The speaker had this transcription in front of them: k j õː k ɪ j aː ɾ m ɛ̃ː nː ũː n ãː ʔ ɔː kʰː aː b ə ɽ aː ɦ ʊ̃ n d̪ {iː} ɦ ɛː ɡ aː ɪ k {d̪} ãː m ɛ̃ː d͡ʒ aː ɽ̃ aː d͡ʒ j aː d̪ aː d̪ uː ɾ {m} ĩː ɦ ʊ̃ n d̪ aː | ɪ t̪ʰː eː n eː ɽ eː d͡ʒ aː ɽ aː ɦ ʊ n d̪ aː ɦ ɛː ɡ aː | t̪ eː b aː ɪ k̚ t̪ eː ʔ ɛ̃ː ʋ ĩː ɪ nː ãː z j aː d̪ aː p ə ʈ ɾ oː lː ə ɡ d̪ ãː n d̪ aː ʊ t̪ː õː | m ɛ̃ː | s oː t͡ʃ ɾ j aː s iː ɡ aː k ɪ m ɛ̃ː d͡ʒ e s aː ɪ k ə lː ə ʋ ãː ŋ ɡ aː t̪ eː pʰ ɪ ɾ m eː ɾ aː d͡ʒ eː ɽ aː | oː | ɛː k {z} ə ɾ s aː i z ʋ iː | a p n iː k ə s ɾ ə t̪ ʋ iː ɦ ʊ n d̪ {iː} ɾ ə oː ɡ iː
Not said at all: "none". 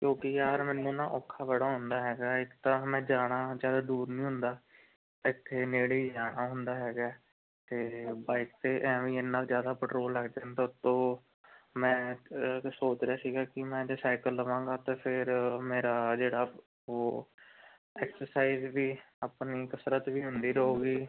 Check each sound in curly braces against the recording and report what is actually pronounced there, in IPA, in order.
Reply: aː, t̪, n, s, iː

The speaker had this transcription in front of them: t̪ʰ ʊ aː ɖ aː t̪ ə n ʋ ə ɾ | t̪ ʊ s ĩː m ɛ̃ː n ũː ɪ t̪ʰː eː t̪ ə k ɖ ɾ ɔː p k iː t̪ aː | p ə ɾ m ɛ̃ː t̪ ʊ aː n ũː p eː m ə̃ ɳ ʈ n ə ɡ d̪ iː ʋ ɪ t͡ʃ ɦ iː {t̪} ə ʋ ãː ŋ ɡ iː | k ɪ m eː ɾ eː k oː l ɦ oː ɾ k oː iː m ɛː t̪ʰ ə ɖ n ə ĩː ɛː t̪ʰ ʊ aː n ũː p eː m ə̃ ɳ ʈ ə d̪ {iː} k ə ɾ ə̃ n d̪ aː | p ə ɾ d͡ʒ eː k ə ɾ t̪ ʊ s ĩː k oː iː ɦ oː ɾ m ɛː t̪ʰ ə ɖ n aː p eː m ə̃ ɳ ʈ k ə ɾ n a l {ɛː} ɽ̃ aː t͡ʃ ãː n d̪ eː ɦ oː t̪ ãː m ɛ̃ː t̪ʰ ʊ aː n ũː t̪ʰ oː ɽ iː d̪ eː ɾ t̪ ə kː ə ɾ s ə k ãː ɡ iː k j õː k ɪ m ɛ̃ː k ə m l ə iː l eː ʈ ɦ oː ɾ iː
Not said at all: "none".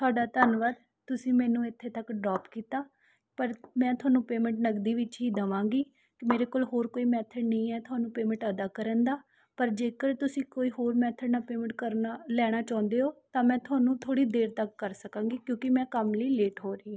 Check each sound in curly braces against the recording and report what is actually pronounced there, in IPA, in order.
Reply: d̪, aː, ɛː

